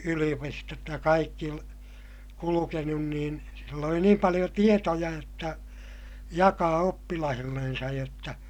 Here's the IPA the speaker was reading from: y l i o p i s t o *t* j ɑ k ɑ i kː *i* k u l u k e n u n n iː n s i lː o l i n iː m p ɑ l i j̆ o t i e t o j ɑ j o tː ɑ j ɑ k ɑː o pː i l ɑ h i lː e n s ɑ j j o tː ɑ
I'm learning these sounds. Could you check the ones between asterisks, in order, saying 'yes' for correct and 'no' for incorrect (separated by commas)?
yes, yes